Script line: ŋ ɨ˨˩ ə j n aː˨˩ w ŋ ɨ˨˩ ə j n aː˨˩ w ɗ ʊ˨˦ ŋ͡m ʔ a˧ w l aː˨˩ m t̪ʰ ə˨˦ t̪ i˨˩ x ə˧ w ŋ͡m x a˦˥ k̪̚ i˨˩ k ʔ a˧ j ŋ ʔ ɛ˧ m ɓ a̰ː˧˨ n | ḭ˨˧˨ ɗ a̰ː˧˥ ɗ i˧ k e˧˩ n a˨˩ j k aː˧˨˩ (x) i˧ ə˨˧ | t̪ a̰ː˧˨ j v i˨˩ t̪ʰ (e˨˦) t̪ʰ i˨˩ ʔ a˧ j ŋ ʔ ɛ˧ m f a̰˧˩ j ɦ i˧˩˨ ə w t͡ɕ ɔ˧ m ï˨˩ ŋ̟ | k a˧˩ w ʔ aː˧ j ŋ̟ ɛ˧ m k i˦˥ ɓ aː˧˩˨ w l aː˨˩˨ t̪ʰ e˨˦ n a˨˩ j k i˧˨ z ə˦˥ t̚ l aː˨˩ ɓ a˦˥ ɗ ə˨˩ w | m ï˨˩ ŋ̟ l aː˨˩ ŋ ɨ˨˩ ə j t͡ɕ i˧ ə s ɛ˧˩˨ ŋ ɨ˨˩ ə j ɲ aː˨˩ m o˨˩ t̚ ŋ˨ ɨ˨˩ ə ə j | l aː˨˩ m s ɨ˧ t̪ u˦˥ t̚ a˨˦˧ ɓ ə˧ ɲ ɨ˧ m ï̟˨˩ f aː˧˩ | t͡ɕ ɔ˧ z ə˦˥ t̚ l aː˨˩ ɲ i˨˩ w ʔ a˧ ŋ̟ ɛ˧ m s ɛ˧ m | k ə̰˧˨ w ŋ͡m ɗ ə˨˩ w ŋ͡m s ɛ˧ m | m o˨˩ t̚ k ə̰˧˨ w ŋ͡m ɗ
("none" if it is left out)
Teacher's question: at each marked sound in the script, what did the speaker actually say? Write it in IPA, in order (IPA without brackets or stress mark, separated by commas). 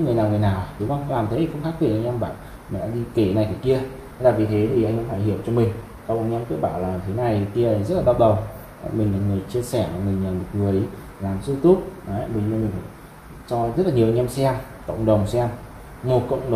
k, e˨˦